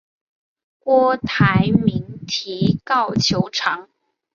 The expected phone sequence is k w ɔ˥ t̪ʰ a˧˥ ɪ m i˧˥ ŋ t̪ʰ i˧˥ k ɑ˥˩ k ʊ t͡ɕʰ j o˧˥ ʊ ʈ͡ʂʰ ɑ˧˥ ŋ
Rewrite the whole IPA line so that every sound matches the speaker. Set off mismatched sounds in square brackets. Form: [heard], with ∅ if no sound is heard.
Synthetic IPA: k w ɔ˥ t̪ʰ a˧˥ ɪ m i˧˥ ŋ t̪ʰ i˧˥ k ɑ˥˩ [∅] ʊ t͡ɕʰ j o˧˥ ʊ ʈ͡ʂʰ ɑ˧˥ ŋ